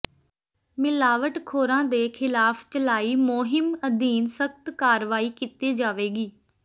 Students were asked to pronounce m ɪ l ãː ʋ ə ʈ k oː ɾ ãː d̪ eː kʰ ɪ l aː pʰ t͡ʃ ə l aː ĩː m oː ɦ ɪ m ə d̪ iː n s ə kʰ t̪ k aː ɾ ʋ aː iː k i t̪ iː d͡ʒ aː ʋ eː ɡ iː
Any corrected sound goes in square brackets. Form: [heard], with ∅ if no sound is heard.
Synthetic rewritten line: m ɪ l [aː] ʋ ə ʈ [kʰ] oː ɾ ãː d̪ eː kʰ ɪ l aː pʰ t͡ʃ ə l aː [iː] m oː ɦ ɪ m ə d̪ iː n s ə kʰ t̪ k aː ɾ ʋ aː iː k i t̪ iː d͡ʒ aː ʋ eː ɡ iː